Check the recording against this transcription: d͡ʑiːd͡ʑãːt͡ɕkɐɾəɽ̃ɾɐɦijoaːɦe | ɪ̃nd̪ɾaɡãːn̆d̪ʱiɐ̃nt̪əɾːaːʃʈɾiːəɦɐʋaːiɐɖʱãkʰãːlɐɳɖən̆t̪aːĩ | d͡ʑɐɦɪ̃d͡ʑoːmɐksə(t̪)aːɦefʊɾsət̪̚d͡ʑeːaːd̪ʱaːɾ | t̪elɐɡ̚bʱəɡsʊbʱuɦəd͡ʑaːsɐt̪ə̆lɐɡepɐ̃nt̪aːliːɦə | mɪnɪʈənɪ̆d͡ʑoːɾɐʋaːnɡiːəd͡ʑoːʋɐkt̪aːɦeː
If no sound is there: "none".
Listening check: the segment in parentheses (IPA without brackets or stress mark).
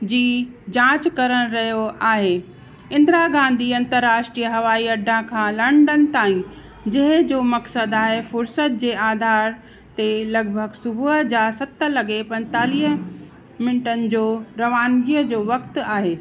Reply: d̪